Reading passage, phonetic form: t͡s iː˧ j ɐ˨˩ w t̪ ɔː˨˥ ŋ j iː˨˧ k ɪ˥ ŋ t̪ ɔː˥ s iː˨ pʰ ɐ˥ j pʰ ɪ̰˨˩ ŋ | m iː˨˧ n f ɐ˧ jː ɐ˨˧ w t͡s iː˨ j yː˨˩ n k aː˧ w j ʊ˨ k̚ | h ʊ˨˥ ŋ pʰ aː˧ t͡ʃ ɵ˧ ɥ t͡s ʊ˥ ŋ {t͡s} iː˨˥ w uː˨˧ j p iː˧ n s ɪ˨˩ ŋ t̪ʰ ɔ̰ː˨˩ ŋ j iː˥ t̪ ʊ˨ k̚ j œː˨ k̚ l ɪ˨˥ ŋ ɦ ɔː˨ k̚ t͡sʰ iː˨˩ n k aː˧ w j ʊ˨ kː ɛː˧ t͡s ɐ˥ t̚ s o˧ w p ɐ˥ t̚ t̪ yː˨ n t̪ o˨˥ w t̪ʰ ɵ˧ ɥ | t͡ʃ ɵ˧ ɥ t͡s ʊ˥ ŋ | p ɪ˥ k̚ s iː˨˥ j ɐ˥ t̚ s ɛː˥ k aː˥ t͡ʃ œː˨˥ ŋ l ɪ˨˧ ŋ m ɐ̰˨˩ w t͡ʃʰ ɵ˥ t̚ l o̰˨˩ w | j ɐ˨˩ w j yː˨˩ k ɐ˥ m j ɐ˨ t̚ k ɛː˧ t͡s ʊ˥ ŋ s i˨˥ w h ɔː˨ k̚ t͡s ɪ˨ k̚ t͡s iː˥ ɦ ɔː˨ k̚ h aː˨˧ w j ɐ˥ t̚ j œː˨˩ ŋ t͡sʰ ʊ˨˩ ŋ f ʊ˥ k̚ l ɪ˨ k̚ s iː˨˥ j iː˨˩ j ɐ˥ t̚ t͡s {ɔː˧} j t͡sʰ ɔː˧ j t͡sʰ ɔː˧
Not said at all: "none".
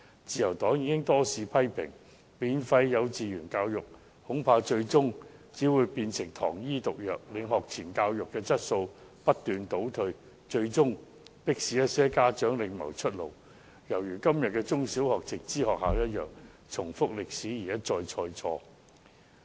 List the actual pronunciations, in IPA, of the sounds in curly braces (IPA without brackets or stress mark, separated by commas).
t͡s, ɔː˧